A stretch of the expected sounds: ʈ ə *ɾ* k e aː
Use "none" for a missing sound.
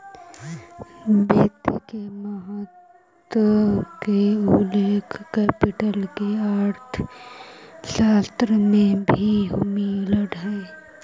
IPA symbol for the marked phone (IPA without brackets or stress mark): l